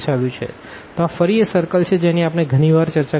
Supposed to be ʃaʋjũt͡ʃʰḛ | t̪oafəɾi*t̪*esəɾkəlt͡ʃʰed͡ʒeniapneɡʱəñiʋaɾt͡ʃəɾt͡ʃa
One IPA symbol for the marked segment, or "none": none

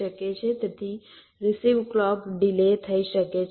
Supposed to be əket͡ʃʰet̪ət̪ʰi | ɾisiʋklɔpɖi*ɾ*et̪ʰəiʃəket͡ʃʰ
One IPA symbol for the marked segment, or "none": l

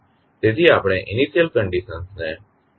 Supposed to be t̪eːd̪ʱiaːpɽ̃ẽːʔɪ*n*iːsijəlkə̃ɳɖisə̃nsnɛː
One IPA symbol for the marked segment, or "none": n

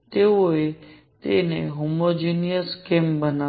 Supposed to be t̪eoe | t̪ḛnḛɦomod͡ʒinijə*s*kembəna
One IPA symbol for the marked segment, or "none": s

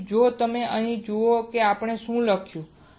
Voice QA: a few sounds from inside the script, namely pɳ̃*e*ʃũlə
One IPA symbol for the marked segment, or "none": e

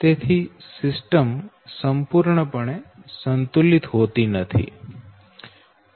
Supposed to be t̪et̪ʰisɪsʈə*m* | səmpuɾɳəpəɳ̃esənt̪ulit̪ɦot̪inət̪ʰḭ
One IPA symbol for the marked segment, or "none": m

